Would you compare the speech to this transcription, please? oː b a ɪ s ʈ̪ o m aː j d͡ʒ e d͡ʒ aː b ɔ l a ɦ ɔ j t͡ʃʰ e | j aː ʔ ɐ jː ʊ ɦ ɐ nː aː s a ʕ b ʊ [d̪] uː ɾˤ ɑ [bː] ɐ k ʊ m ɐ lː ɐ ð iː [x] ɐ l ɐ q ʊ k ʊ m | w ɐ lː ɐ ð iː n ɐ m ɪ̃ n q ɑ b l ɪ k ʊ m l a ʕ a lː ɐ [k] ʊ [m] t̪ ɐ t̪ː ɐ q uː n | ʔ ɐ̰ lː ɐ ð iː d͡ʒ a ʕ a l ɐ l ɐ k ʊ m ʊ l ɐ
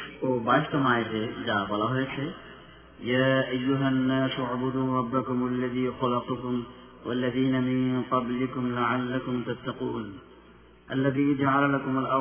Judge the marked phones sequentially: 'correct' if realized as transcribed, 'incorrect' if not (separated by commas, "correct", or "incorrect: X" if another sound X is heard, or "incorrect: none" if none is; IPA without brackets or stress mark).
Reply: correct, correct, correct, correct, correct